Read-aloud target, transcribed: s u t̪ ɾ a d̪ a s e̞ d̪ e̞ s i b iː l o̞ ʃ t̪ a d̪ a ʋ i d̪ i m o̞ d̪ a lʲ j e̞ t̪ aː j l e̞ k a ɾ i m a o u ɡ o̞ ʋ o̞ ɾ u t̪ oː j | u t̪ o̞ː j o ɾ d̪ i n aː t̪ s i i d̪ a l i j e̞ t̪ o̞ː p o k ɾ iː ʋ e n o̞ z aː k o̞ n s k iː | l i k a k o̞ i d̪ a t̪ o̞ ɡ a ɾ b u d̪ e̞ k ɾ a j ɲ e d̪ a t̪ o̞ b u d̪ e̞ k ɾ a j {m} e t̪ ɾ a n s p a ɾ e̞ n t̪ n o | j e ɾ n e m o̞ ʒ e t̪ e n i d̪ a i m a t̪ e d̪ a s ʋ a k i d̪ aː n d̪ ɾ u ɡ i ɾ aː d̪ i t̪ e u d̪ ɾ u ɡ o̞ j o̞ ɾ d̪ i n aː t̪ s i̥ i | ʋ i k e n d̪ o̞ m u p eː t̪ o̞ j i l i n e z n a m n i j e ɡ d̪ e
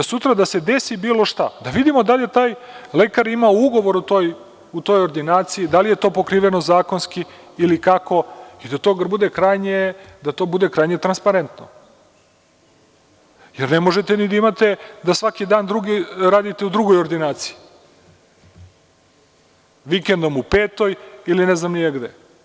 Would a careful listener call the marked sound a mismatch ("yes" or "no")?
yes